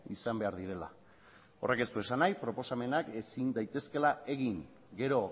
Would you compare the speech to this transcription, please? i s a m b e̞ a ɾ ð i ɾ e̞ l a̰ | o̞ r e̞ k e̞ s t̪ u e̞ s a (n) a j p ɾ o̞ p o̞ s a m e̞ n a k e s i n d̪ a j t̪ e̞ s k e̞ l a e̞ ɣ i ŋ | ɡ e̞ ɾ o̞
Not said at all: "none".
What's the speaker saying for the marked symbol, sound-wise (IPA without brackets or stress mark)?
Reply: n